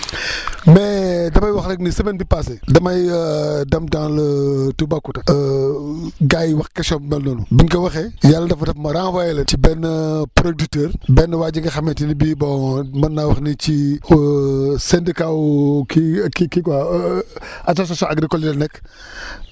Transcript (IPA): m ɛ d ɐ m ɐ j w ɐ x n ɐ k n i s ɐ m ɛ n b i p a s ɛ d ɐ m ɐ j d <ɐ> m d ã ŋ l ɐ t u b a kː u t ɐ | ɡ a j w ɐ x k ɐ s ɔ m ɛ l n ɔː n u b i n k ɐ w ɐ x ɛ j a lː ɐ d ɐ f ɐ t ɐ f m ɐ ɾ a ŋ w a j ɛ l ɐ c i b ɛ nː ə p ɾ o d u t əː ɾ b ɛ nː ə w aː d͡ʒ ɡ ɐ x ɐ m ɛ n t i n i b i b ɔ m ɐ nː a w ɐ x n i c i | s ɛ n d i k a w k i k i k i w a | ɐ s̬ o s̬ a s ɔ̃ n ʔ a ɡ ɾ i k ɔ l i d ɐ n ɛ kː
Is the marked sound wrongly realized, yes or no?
no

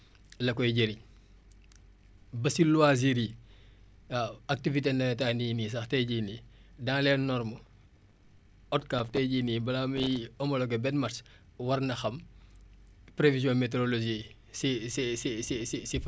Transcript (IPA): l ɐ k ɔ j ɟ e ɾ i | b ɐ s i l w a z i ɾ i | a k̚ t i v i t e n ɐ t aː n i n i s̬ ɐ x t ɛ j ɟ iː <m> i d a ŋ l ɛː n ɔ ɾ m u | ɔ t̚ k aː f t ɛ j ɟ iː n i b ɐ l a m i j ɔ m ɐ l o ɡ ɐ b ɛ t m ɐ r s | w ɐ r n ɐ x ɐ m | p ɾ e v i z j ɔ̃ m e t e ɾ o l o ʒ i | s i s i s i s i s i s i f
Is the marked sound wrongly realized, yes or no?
yes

